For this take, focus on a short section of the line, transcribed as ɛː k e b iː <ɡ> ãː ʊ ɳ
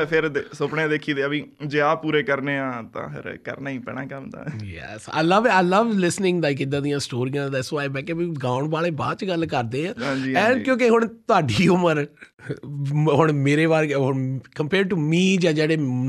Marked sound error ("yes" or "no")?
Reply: no